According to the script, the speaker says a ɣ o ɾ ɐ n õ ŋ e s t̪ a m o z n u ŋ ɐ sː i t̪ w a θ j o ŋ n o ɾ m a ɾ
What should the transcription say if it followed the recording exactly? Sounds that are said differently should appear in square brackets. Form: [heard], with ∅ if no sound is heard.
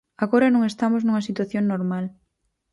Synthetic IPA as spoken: a ɣ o ɾ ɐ n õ ŋ e s t̪ a m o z n u ŋ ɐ [s] i t̪ w a θ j o ŋ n o ɾ m a [l]